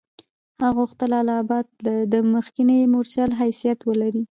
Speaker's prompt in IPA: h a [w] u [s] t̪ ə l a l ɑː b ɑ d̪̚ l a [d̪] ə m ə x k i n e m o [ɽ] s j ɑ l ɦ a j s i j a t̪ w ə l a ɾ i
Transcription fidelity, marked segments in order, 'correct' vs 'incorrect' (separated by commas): incorrect, incorrect, correct, incorrect